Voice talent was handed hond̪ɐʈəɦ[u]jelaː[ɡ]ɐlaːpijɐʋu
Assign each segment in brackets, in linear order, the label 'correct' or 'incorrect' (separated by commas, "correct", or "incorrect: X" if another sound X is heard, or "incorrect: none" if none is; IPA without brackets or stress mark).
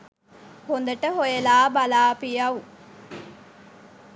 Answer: incorrect: o, incorrect: b